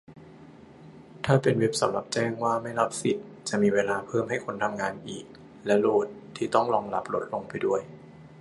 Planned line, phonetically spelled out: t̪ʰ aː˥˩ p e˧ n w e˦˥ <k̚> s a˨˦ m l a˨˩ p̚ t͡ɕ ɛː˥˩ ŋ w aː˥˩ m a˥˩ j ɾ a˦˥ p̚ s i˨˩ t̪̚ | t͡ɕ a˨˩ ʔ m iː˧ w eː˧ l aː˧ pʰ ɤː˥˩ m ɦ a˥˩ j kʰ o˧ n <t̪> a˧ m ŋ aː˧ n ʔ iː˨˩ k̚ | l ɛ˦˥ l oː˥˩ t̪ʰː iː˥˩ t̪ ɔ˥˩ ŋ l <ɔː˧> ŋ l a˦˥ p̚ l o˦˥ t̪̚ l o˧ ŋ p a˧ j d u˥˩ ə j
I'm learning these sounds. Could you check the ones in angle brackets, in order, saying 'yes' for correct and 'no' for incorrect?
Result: no, no, yes

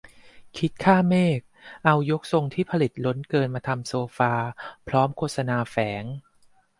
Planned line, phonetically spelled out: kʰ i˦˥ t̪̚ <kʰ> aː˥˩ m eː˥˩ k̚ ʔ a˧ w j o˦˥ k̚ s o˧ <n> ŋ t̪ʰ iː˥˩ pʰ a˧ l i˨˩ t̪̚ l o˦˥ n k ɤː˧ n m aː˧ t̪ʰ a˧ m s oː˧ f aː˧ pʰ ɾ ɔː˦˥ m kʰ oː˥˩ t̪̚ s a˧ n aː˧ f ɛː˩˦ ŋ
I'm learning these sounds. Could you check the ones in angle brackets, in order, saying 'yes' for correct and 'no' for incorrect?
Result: yes, no

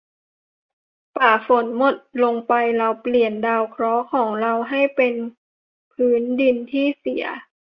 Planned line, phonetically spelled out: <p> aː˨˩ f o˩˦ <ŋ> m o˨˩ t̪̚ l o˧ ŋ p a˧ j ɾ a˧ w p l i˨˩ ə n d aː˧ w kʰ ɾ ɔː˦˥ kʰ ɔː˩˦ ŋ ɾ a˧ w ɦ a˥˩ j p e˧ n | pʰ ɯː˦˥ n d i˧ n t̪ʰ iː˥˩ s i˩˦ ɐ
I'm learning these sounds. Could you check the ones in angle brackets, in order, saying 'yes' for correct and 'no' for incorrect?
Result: yes, no

